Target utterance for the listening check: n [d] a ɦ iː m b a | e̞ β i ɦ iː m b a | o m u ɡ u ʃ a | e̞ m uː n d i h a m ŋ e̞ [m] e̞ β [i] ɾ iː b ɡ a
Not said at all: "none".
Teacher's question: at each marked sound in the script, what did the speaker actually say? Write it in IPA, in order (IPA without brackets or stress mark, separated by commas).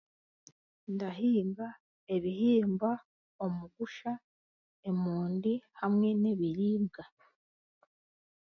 d, n, i